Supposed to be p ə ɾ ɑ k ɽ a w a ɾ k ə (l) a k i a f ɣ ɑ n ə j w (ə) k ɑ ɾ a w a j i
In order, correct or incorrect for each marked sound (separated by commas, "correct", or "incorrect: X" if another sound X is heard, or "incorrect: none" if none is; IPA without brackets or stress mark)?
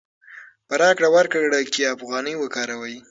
incorrect: ɽ, correct